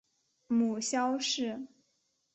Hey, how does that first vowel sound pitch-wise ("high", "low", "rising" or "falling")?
low